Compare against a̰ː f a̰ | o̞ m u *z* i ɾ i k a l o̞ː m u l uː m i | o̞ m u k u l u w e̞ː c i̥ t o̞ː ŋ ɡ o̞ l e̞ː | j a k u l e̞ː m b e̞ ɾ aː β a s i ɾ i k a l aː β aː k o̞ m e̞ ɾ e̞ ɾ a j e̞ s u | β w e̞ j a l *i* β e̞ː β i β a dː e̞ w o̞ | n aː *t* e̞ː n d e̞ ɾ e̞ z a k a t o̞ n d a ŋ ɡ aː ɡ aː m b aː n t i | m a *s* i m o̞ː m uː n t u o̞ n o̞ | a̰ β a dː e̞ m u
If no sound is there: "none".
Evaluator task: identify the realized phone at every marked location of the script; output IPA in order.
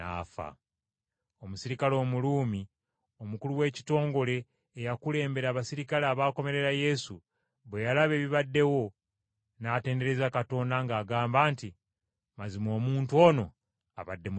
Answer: s, a, t, z

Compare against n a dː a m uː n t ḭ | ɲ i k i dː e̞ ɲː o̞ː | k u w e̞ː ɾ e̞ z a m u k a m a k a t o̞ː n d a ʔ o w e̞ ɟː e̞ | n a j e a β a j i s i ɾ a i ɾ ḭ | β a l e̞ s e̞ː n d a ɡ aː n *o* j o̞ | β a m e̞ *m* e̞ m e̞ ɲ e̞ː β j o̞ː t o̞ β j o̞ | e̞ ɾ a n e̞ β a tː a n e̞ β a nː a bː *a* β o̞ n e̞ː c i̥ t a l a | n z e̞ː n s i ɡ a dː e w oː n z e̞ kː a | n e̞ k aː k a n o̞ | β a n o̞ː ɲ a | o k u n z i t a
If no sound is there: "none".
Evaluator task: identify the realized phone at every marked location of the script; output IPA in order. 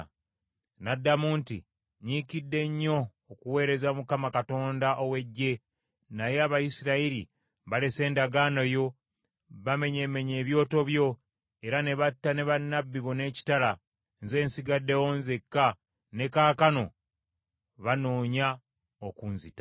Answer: o, ɲ, i

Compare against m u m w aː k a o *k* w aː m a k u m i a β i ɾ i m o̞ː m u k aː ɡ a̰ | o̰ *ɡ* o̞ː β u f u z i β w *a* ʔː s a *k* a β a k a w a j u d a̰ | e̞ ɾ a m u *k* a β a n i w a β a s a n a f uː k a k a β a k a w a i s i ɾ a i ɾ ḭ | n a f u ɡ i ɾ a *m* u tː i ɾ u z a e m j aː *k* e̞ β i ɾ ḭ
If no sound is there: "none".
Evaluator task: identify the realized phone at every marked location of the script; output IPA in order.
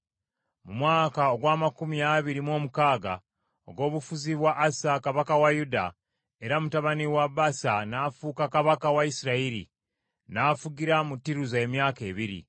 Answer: ɡ, ɡ, a, k, t, m, k

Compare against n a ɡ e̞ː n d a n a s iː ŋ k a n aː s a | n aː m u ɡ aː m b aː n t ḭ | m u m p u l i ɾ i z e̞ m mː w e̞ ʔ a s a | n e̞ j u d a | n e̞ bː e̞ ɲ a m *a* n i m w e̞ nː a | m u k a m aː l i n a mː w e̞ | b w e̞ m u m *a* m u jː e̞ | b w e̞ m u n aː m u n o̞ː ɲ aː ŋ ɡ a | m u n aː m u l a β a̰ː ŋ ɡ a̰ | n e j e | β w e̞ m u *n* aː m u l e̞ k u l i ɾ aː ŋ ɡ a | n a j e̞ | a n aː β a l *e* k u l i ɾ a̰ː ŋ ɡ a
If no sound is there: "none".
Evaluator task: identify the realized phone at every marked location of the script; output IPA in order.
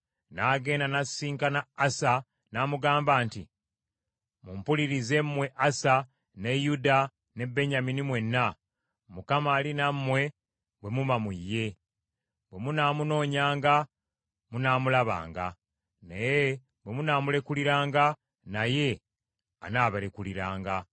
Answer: i, a, n, e

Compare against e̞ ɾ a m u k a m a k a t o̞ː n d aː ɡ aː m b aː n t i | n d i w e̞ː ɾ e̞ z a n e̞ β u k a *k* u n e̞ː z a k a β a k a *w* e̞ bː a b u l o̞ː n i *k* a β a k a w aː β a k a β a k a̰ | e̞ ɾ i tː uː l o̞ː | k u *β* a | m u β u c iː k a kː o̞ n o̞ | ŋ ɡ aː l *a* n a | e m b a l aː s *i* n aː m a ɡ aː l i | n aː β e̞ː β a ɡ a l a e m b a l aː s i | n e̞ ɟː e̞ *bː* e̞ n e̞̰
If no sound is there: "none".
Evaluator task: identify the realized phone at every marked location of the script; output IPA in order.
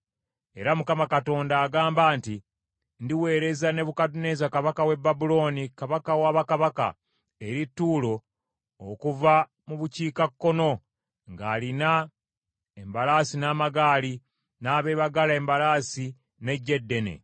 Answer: t, w, k, v, i, i, dː

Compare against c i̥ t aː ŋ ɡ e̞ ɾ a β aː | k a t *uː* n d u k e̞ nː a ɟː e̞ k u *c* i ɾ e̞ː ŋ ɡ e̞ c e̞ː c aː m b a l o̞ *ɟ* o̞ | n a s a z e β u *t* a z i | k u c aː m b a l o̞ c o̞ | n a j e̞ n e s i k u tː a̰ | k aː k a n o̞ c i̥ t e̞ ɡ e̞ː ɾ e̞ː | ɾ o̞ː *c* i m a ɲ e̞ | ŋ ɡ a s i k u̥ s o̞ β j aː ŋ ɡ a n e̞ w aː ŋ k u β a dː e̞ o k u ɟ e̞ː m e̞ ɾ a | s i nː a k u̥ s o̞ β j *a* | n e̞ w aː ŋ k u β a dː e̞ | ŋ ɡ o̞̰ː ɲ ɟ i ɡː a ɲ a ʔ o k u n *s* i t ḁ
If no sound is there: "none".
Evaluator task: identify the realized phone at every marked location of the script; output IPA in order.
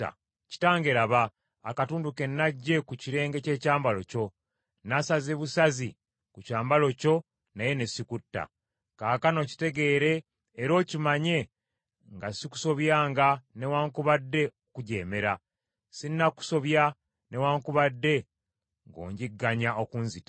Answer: uː, c, c, s, c, a, z

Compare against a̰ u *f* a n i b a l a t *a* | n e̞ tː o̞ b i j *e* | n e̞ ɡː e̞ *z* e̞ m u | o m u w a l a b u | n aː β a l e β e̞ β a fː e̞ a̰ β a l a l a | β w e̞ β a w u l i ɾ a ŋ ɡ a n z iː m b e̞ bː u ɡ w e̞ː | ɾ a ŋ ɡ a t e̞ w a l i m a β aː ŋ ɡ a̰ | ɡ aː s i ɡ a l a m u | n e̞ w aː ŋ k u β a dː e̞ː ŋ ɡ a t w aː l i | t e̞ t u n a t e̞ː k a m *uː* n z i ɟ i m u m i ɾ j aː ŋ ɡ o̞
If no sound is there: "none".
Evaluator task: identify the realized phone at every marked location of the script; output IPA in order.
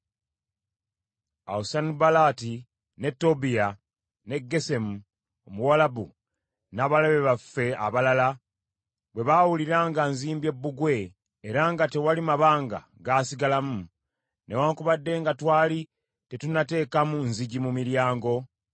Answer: s, i, a, s, u

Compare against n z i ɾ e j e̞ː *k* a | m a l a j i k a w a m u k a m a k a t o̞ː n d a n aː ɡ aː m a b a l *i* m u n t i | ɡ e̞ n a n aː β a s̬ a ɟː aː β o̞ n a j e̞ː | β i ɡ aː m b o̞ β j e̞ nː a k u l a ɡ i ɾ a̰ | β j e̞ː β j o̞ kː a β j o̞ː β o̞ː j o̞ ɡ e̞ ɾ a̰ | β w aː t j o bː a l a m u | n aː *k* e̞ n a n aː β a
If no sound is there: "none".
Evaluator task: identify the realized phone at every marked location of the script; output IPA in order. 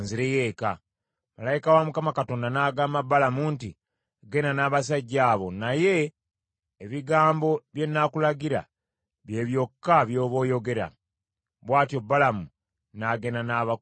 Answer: k, a, ɡ

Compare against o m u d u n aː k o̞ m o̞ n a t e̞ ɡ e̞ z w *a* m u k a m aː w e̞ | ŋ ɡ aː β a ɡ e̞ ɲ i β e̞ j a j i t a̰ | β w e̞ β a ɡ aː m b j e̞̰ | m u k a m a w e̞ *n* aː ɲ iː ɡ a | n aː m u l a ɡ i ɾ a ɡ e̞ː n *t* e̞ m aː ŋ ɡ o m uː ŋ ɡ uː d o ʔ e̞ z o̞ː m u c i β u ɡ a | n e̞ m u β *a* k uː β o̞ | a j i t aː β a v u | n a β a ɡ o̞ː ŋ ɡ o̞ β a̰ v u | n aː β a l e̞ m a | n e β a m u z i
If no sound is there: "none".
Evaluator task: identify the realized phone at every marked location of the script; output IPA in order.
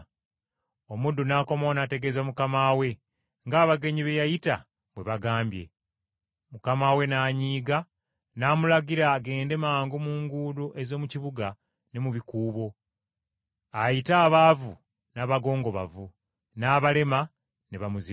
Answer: a, n, d, i

